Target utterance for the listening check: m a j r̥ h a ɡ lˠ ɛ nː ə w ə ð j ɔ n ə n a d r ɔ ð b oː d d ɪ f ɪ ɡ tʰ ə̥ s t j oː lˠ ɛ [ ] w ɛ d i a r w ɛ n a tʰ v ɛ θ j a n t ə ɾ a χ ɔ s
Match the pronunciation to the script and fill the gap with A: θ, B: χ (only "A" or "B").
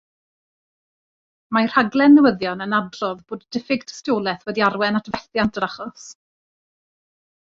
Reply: A